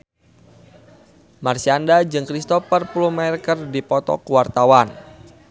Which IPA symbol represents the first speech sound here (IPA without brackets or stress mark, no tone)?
m